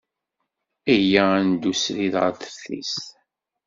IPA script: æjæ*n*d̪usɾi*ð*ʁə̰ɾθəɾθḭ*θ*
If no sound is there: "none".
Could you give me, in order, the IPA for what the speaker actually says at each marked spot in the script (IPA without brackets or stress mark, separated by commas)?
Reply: n, ð, s